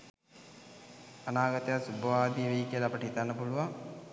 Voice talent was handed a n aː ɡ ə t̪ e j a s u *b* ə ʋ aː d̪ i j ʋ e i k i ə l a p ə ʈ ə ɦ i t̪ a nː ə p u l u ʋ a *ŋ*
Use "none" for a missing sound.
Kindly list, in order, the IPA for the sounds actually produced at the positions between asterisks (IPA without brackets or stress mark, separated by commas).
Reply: b, ŋ